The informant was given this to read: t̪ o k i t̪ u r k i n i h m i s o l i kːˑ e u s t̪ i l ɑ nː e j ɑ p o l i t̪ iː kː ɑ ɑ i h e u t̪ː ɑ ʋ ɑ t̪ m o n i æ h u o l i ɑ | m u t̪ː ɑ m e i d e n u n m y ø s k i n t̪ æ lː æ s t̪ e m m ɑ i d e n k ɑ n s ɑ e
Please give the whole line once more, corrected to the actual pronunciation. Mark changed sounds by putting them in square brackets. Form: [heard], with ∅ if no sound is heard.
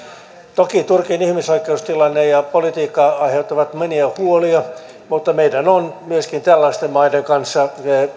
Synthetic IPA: t̪ o k i t̪ u r k i n i h m i s o [∅] i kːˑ e u s t̪ i l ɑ nː e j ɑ p o l i t̪ iː kː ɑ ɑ i h e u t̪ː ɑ ʋ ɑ t̪ m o n i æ h u o l i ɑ | m u t̪ː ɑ m e i d [æ] n [o] n m y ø s k i n t̪ æ lː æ s t̪ e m m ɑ i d e [ŋ] k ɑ n [sː] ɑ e